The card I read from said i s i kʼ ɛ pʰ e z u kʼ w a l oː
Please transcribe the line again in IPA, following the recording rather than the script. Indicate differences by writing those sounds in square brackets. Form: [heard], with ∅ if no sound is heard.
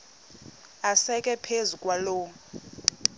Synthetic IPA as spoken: [a] s [ɛ] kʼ ɛ pʰ e z u kʼ w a l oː